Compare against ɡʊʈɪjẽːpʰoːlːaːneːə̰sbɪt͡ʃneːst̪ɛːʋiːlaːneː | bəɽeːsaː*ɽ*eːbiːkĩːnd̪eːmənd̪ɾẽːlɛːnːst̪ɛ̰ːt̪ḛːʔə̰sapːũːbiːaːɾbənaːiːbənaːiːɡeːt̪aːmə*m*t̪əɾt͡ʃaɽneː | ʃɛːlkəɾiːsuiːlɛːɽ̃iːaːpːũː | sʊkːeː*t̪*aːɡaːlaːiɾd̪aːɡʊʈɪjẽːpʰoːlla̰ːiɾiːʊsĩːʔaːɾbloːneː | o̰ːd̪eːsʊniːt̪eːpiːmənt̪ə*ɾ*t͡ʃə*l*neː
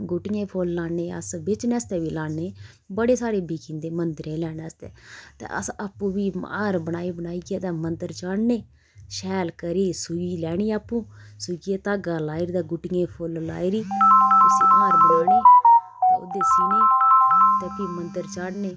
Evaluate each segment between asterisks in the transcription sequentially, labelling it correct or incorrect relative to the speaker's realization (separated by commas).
incorrect, incorrect, correct, correct, incorrect